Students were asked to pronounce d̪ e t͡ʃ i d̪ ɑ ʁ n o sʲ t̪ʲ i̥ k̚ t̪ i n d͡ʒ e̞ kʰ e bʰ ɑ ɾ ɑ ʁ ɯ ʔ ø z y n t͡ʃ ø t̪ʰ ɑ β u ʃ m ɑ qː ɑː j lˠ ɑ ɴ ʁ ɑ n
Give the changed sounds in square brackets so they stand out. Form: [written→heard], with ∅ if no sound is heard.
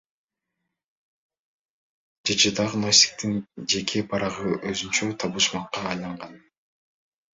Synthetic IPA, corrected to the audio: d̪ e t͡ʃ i d̪ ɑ ʁ n o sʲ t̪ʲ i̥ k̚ t̪ i n d͡ʒ e̞ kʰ e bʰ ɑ ɾ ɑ ʁ ɯ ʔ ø z y n t͡ʃ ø t̪ʰ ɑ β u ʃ m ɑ qː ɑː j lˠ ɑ ɴ ʁ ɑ n

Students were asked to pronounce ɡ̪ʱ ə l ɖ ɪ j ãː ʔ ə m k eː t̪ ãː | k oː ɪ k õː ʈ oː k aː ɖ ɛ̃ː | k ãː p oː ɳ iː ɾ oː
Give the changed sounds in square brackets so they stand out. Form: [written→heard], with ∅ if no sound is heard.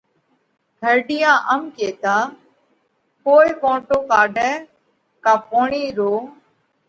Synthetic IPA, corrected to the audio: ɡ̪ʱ ə [l→ɾ] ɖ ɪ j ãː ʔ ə m k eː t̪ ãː | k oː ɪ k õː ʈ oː k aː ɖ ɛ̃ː | k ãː p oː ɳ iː ɾ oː

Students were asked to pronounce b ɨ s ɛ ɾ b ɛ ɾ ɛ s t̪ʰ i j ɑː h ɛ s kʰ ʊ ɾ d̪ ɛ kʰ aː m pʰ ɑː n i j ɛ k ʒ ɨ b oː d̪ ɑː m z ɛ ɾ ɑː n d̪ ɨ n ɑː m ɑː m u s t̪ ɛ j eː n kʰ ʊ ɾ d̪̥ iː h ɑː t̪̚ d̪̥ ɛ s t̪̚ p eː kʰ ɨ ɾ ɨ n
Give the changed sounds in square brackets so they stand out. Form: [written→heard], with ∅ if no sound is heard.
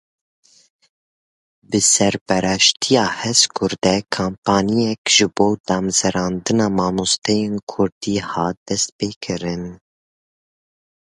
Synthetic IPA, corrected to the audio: b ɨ s ɛ ɾ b ɛ ɾ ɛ [s→ʃ] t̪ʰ i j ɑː h ɛ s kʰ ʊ ɾ d̪ ɛ kʰ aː m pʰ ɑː n i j ɛ k ʒ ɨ b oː d̪ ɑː m z ɛ ɾ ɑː n d̪ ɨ n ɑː m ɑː m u s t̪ ɛ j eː n kʰ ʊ ɾ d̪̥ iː h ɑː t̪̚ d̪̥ ɛ s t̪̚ p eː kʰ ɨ ɾ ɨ n

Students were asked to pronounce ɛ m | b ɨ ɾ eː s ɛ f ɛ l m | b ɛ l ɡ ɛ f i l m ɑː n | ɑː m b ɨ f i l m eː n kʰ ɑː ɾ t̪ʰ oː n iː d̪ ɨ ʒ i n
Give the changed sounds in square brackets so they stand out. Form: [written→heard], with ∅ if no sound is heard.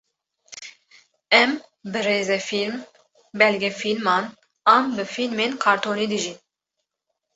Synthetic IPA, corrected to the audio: ɛ m | b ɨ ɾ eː [s→z] ɛ f [ɛ→i] l m | b ɛ l ɡ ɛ f i l m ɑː n | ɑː m b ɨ f i l m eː n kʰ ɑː ɾ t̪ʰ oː n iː d̪ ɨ ʒ i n

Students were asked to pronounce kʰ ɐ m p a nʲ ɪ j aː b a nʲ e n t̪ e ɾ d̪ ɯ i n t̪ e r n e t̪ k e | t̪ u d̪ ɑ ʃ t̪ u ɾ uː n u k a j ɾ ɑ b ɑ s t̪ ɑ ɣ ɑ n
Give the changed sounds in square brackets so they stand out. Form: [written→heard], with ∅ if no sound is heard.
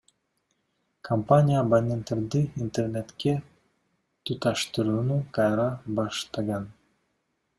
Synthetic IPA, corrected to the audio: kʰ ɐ m p a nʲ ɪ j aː b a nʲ e n t̪ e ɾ d̪ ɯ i n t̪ e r n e t̪ k e | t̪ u [d̪→t̪] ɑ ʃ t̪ [u→ɯ] ɾ uː n u k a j ɾ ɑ b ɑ [s→ʃ] t̪ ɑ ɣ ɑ n

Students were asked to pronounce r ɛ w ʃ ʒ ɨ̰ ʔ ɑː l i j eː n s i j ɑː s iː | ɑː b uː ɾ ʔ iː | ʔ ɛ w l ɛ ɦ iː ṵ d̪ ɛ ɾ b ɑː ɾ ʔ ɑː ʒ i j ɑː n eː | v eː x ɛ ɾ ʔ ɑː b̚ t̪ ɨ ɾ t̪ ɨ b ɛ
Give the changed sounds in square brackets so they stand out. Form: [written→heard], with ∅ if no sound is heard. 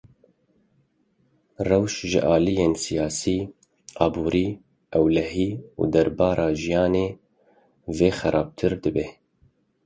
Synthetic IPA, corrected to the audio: r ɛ w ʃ ʒ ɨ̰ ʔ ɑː l i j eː n s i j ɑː s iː | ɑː b uː ɾ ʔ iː | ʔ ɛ w l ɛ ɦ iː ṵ d̪ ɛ ɾ b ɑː ɾ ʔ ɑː ʒ i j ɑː n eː | v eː x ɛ ɾ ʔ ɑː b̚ [t̪→t̪ʰ] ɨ ɾ [t̪→d̪] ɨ b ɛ

